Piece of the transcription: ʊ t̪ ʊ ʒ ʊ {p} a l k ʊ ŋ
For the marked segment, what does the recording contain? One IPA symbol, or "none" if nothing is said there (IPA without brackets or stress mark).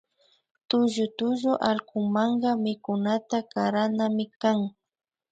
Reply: ʔ